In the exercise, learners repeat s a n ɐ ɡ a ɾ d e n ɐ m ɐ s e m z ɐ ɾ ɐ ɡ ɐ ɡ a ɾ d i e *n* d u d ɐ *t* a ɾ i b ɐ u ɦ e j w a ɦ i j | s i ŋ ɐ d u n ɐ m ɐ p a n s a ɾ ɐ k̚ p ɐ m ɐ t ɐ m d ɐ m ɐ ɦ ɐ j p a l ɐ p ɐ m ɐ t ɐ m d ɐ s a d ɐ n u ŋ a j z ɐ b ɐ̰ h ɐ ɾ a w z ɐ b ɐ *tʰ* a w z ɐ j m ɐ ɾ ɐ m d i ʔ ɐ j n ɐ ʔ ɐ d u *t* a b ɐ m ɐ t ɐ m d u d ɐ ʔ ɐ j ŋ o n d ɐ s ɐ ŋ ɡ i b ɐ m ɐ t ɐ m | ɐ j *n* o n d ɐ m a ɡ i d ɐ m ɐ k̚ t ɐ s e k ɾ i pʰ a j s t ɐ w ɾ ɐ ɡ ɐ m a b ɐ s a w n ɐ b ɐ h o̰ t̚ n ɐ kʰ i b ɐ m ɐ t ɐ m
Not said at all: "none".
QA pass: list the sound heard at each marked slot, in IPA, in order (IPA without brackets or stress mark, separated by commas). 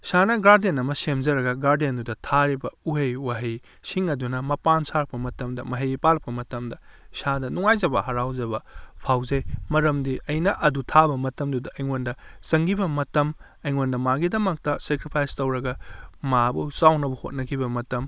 n, tʰ, pʰ, tʰ, ŋ